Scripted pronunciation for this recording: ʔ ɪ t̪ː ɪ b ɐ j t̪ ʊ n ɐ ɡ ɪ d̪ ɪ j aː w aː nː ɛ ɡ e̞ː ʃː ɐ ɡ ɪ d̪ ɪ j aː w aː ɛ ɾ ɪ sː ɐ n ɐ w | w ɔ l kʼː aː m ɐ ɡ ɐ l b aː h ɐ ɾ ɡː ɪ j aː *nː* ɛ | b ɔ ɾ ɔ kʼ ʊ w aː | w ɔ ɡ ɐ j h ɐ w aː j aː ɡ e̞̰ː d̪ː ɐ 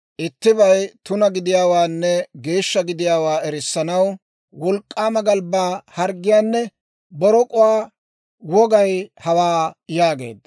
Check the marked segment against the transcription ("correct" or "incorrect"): correct